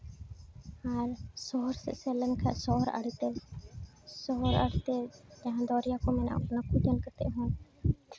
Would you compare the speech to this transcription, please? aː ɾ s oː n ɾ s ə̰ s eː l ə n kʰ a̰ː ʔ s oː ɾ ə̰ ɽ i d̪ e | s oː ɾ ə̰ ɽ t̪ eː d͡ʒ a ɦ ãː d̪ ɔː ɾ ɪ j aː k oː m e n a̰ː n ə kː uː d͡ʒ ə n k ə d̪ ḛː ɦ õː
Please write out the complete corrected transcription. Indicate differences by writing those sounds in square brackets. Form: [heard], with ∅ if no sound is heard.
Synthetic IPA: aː ɾ s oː [∅] ɾ s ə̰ s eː l ə n kʰ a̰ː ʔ s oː ɾ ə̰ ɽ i [t̪] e | s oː ɾ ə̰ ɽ t̪ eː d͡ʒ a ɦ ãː d̪ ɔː ɾ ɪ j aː k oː m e n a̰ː n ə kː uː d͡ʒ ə n k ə [t̪] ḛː ɦ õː